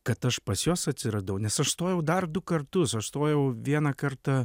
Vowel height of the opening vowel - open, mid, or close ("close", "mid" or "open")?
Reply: open